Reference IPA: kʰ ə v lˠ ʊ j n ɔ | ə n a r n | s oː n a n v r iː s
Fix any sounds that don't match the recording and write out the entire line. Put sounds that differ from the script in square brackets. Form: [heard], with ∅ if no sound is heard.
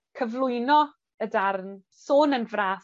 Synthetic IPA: kʰ ə v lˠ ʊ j n ɔ | ə [d] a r n | s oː n [ə] n v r [aː] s